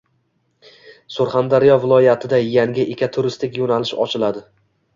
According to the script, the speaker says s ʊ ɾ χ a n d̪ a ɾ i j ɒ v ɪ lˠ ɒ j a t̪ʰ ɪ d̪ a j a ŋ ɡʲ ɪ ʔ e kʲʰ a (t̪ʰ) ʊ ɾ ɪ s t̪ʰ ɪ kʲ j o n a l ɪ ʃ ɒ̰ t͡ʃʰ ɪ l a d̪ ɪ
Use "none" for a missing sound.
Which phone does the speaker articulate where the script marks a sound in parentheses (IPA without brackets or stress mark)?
t̪ʰ